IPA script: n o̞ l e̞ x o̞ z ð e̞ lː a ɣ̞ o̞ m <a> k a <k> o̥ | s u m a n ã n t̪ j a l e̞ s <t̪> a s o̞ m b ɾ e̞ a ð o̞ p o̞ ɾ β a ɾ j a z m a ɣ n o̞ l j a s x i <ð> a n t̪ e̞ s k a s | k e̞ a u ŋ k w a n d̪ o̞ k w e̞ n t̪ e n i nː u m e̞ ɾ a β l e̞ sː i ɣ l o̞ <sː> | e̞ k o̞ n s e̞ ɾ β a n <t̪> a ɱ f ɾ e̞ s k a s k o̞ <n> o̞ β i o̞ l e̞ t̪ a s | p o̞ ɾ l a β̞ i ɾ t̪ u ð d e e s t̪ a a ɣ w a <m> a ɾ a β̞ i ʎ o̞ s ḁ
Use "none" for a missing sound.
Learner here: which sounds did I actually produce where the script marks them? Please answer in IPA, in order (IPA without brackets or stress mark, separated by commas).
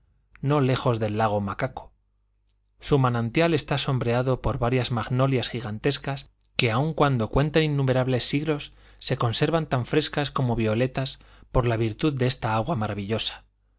a, k, t̪, ɣ, sː, t̪, m, m